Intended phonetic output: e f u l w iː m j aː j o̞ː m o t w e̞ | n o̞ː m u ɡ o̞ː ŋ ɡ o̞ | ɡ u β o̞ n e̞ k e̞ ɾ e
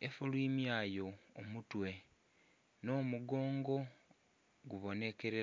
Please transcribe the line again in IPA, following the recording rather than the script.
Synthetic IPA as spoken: e f u l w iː m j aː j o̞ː m u t w e̞ | n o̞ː m u ɡ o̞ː ŋ ɡ o̞ | ɡ u β o̞ n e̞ k e̞ ɾ e